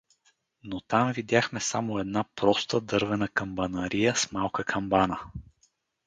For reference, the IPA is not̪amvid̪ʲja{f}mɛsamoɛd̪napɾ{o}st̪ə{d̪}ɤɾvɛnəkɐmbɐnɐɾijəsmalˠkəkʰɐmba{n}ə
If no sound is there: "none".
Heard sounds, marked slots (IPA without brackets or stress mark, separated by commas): x, ɔ, d̪, n